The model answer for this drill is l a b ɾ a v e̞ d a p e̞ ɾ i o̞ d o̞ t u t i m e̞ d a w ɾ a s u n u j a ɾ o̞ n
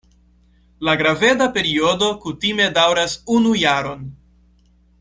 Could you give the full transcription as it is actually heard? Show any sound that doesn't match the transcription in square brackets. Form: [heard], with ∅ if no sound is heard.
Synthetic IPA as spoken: l a [ɡ] ɾ a v e̞ d a p e̞ ɾ i o̞ d o̞ [k] u t i m e̞ d a w ɾ a s u n u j a ɾ o̞ n